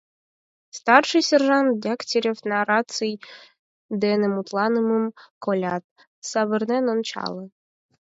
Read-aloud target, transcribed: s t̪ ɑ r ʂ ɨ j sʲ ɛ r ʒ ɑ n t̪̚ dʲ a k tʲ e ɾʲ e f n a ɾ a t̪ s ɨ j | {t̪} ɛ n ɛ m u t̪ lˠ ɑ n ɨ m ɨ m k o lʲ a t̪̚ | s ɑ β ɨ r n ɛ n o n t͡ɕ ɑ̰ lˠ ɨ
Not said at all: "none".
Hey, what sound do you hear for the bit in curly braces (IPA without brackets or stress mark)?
d̪